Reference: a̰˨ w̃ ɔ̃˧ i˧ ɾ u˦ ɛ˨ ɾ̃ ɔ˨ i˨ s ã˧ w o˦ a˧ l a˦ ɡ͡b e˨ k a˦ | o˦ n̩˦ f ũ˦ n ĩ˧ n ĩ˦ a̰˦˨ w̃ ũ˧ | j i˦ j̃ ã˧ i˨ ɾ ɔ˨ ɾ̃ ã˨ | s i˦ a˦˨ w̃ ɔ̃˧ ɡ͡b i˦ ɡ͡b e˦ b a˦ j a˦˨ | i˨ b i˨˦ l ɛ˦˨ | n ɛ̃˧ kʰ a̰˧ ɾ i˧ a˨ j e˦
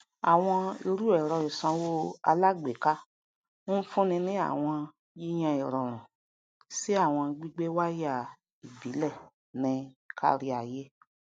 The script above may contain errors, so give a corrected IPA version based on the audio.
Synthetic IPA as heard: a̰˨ w̃ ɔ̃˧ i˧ ɾ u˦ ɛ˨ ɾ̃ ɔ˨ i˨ s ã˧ w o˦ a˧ l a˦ ɡ͡b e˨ k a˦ | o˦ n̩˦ f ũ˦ n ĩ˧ n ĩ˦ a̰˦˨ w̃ ɔ̃˧ | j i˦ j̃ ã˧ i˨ ɾ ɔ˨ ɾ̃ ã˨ | s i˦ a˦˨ w̃ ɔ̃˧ ɡ͡b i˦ ɡ͡b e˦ w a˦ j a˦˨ | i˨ b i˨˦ l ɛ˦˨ | n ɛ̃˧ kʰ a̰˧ ɾ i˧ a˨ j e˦

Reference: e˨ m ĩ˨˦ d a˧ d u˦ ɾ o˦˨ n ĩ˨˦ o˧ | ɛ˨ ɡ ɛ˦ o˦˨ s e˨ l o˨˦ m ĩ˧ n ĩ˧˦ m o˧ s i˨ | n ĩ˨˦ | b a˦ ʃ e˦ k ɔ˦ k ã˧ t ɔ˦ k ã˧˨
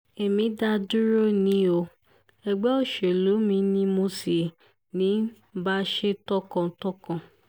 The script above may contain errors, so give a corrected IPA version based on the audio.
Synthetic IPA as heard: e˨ m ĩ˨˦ d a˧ d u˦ ɾ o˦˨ n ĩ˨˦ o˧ | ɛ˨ ɡ͡b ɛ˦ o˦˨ ʃ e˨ l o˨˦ m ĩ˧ n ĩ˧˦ m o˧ s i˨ | n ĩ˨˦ | b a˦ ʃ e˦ t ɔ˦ k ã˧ t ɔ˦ k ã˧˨

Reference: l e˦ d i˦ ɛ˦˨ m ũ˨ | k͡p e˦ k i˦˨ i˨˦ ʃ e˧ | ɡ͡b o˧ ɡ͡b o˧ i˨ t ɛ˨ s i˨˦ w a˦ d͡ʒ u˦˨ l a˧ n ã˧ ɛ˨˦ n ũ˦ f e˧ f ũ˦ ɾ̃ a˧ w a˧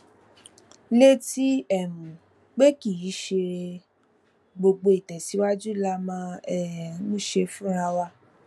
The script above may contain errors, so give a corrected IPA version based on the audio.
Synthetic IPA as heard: l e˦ t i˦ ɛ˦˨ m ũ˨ | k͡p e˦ k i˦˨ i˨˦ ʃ e˧ | ɡ͡b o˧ ɡ͡b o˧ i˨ t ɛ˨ s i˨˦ w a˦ d͡ʒ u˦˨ l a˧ m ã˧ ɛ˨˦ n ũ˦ ʃ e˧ f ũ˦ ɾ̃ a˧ w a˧

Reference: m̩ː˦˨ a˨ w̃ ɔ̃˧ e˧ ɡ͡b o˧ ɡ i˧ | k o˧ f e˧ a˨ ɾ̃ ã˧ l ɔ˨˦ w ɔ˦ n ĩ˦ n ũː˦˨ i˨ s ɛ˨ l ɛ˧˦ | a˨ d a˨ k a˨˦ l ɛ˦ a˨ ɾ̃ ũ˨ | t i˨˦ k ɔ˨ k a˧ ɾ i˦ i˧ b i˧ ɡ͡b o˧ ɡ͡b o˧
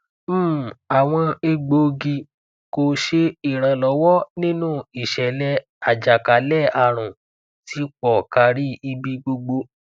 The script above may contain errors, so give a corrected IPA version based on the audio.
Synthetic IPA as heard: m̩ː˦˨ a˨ w̃ ɔ̃˧ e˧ ɡ͡b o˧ ɡ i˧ | k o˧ ʃ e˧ i˨ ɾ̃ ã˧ l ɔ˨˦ w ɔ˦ n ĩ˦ n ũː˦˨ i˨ ʃ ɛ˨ l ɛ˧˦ | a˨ d͡ʒ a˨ k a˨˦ l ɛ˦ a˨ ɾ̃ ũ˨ | t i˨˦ k͡p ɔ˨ k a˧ ɾ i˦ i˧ b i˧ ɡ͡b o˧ ɡ͡b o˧

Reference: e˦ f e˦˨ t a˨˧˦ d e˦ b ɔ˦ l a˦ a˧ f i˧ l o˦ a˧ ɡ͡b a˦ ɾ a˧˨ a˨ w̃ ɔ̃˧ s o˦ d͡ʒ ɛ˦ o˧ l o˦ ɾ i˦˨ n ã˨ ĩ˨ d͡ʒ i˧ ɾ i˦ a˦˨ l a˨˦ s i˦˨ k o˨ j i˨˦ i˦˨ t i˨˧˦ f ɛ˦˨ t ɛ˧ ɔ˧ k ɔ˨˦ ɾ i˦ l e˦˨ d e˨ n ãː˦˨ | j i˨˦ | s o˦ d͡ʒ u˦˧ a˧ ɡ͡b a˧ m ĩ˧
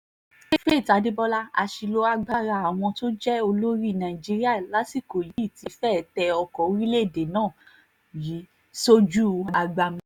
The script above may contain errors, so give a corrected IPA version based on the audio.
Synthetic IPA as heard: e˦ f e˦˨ t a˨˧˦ d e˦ b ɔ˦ l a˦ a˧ ʃ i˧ l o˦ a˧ ɡ͡b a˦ ɾ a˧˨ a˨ w̃ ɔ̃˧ t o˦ d͡ʒ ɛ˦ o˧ l o˦ ɾ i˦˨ n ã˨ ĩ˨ d͡ʒ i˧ ɾ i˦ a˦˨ l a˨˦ s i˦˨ k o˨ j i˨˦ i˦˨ t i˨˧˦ f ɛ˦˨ t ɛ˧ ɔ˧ k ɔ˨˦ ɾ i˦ l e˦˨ d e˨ n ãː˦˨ | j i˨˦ | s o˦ d͡ʒ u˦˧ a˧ ɡ͡b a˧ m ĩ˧

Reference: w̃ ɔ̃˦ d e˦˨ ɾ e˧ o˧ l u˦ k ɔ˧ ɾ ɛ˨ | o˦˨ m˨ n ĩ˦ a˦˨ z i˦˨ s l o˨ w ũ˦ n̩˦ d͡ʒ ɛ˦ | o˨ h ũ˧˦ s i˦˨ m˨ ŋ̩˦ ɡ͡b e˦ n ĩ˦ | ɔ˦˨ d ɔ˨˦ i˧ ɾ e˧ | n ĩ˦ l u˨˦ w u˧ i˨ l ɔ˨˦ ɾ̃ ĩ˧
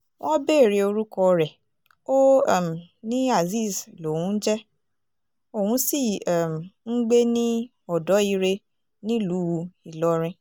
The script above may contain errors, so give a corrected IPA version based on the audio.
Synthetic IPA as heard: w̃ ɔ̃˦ b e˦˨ ɾ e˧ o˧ ɾ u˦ k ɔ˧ ɾ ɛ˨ | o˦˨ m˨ n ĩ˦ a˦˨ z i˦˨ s l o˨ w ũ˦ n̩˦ d͡ʒ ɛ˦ | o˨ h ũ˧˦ s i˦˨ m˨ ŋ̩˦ ɡ͡b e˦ n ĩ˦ | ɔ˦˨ d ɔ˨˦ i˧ ɾ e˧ | n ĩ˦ l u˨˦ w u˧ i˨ l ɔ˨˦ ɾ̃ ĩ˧

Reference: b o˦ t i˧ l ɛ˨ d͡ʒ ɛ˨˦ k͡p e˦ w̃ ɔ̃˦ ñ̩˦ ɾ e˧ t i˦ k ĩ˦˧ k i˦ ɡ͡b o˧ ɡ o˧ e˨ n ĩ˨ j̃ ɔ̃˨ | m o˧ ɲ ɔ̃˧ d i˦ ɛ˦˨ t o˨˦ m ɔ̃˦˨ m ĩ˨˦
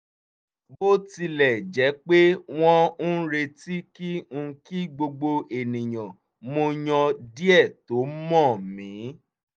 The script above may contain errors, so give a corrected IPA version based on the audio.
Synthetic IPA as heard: b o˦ t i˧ l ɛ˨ d͡ʒ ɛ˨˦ k͡p e˦ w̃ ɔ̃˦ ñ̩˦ ɾ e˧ t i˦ k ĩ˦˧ k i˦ ɡ͡b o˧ ɡ͡b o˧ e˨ n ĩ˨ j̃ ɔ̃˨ | m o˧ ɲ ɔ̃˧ d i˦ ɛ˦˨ t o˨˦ m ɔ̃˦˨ m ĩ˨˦

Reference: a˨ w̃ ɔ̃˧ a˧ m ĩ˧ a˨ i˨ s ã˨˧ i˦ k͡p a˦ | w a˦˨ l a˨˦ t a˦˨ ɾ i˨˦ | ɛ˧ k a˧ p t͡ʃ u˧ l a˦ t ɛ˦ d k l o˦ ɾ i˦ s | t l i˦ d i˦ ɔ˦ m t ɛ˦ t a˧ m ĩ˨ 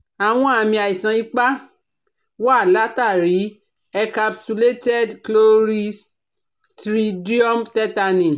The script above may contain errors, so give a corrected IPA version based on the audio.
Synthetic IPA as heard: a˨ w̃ ɔ̃˧ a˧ m ĩ˧ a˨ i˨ s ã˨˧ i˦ k͡p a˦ | w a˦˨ l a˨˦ t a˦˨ ɾ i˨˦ | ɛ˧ k a˧ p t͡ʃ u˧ l e˦ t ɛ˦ d k l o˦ ɾ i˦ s | t ɾ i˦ d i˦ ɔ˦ m t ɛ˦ t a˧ n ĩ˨

